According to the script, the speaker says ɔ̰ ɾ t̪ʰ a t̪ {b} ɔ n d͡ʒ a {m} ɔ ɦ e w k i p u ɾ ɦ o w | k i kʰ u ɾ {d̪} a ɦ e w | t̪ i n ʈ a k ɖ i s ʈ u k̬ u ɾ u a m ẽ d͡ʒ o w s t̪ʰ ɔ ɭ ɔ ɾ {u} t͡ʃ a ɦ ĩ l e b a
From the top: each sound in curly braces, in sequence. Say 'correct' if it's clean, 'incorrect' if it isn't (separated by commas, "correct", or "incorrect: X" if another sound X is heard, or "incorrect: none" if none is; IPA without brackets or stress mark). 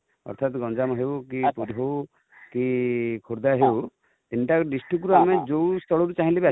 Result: incorrect: ɡ, correct, correct, correct